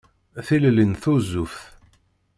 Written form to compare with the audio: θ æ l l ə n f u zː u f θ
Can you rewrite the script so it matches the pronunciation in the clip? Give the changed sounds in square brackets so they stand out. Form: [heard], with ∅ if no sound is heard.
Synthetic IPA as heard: θ [i] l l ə n [θ] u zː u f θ

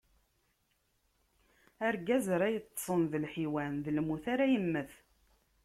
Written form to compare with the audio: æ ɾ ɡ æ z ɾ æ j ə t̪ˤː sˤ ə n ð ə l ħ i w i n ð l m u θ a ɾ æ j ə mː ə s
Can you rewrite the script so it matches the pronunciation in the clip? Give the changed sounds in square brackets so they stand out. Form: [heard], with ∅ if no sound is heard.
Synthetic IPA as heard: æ ɾ ɡ æ z ɾ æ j ə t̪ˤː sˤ ə n ð ə l ħ i w [æ] n ð l m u θ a ɾ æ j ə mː ə [θ]

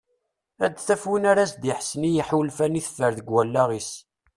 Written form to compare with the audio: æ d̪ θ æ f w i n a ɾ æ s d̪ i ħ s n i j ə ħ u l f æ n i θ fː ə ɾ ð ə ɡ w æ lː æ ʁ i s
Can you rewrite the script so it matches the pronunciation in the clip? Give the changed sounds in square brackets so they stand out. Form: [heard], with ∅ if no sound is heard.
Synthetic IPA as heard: æ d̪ θ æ f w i n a ɾ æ s d̪ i ħ s n i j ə ħ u l f æ n i θ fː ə ɾ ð ə ɡ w æ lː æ ʁ i s

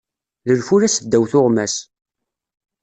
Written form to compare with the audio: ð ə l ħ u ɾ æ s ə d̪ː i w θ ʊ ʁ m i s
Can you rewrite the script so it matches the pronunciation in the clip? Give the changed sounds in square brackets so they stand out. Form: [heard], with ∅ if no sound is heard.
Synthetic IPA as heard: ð ə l [f] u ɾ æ s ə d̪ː [æ] w θ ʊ ʁ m [æ] s

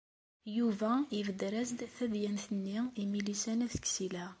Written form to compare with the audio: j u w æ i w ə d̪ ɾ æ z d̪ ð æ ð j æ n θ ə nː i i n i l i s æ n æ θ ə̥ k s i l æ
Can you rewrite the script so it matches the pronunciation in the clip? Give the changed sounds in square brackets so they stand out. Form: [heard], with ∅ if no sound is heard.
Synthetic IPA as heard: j u [v] æ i [v] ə d̪ ɾ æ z d̪ [θ] æ ð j æ n θ ə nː i i [m] i l i s æ n æ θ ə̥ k s i l æ

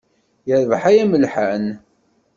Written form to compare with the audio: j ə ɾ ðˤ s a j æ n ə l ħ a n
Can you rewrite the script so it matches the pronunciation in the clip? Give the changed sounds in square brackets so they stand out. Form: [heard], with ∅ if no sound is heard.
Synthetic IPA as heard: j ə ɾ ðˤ [ħ] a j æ [m] ə l ħ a n

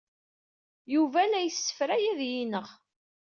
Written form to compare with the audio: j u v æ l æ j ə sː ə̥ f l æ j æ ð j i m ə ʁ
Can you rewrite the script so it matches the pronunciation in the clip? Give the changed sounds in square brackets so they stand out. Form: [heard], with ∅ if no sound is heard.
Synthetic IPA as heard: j u v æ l æ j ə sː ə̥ f [ɾ] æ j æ ð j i [n] ə ʁ

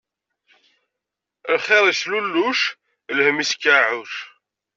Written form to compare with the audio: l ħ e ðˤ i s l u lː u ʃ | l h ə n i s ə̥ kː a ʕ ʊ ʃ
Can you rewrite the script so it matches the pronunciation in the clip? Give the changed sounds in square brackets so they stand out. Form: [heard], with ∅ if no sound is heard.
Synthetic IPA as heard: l [χ] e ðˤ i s l u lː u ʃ | l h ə [m] i s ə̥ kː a ʕ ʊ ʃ

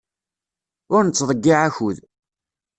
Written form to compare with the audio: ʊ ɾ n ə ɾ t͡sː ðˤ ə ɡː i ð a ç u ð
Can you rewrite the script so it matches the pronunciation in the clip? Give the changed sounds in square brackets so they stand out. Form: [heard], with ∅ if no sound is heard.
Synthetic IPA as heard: ʊ ɾ n ə [∅] t͡sː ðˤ ə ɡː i [ʕ] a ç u ð

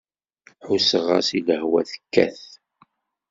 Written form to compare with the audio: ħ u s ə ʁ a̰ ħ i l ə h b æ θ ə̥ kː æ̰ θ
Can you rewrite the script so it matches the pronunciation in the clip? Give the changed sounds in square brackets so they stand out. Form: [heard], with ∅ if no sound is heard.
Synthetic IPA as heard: ħ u s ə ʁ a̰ [s] i l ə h [w] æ θ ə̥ kː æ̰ θ

